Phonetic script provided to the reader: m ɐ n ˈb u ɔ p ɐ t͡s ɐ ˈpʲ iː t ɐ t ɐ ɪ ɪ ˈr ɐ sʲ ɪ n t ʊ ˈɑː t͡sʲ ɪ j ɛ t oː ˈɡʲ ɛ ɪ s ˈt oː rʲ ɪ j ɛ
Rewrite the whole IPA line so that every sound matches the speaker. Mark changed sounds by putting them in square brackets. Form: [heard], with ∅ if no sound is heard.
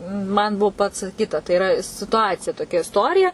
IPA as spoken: m ɐ n ˈb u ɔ p ɐ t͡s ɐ [ˈkʲ] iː t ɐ t ɐ ɪ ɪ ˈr ɐ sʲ ɪ [∅] t ʊ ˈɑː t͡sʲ ɪ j ɛ t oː [ˈkʲ] ɛ ɪ s ˈt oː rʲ ɪ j ɛ